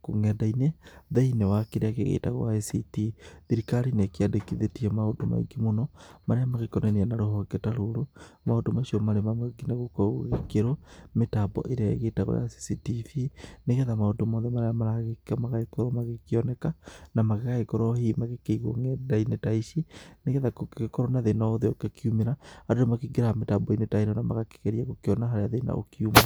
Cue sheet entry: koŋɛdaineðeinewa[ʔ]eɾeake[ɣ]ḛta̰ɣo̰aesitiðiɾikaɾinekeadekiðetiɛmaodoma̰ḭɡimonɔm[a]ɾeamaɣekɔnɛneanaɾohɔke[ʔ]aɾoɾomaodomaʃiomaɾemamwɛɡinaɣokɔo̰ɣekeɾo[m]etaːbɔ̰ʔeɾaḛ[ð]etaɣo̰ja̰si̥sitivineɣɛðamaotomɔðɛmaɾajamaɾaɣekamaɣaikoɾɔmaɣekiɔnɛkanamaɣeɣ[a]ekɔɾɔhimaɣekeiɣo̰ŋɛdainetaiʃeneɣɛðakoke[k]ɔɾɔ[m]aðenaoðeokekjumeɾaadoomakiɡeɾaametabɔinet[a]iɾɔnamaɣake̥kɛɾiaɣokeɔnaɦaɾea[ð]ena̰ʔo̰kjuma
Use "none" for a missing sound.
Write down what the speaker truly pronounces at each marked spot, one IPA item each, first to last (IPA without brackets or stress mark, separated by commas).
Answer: k, ɣ, a, t, m, ɣ, a, k, n, a, ð